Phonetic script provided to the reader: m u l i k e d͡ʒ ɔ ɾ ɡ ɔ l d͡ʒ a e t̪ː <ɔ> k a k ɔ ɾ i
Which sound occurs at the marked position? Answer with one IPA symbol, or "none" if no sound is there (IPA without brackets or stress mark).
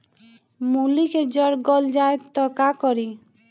ɔ